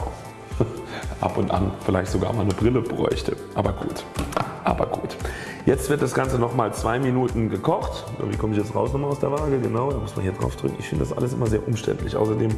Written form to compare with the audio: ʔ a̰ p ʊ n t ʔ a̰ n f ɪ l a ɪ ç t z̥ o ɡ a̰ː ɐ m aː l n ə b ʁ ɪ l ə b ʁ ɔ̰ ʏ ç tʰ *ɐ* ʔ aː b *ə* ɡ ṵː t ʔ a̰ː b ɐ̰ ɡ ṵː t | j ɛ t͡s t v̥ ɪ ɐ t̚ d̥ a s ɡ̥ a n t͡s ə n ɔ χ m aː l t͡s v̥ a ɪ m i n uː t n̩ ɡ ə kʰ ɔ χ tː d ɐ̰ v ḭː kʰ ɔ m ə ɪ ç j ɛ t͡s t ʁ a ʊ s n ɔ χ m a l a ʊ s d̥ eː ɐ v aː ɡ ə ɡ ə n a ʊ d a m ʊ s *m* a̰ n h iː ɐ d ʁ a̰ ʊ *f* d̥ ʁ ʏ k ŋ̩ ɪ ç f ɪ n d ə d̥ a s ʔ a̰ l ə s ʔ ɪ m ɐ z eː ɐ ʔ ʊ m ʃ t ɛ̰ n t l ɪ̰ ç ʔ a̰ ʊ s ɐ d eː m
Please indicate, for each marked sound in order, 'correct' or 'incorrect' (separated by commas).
incorrect, incorrect, correct, correct